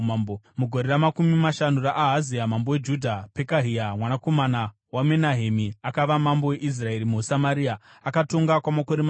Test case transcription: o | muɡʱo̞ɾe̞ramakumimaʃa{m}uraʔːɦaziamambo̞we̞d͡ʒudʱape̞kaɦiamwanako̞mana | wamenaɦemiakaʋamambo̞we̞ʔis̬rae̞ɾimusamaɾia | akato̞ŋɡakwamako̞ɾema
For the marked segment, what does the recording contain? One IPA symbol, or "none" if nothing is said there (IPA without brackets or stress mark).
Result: n